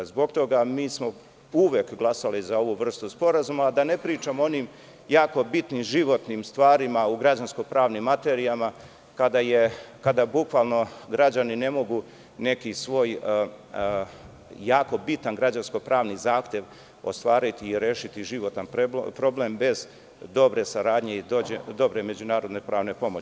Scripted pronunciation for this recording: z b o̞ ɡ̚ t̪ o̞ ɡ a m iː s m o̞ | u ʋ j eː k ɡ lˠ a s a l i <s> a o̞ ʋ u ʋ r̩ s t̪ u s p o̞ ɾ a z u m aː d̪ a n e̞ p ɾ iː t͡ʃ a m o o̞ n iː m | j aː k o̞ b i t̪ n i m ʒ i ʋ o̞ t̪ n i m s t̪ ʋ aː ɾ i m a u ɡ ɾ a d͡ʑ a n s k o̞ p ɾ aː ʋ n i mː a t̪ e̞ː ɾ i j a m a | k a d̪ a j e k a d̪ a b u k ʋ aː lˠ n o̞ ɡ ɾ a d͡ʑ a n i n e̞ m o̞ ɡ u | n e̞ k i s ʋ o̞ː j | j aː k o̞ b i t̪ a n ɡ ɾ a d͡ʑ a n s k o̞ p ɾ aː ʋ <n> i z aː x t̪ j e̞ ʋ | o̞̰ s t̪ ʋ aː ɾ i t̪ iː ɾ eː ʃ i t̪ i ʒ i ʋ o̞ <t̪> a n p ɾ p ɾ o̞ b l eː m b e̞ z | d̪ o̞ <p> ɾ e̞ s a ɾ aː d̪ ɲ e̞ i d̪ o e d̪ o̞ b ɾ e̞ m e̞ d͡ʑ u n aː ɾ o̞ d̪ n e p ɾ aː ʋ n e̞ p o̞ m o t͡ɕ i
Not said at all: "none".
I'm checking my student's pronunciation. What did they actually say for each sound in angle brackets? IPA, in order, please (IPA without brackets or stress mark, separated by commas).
z, n, t̪, b